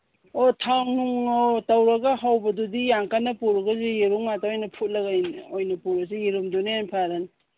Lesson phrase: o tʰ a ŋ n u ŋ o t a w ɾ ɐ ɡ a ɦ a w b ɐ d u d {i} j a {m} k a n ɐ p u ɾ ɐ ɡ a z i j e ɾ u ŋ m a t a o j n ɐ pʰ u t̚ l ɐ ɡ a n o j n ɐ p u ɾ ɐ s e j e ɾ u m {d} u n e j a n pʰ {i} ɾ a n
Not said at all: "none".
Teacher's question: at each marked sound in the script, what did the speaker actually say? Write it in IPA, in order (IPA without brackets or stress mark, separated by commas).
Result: i, ŋ, d, a